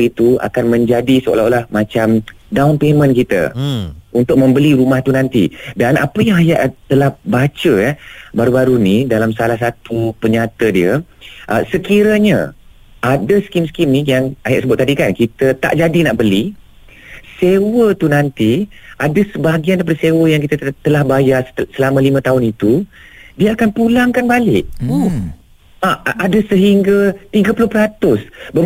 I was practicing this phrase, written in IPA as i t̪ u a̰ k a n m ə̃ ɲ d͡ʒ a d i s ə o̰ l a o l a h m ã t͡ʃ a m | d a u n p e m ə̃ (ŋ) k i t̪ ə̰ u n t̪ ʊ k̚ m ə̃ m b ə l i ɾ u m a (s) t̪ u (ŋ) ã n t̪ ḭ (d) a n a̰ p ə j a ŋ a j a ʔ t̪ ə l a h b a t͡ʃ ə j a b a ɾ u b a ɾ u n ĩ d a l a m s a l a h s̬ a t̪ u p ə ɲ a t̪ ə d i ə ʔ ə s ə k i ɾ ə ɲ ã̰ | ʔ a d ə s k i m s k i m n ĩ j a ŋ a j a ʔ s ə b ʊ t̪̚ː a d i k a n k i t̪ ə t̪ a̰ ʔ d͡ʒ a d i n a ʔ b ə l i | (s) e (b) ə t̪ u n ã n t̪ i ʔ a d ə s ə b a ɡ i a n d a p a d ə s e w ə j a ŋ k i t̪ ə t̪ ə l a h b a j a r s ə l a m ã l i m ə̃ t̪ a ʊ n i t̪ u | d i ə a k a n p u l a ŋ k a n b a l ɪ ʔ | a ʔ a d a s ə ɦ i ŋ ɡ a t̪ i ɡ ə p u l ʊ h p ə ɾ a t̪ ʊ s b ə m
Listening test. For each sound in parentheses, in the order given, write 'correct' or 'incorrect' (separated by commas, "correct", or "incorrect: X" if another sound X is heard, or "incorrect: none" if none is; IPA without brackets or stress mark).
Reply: incorrect: n, incorrect: h, incorrect: n, correct, correct, incorrect: w